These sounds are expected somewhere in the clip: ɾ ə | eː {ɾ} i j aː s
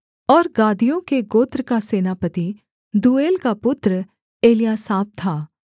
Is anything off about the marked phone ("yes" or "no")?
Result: yes